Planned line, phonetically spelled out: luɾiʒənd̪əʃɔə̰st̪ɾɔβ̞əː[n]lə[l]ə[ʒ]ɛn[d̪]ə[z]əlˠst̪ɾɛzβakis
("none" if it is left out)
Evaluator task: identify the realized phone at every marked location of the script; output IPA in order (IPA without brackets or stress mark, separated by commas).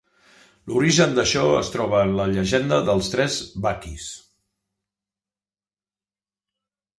n, ʎ, ʒ, d̪, ð